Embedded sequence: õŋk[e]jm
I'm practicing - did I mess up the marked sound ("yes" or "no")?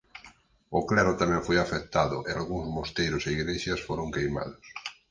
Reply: no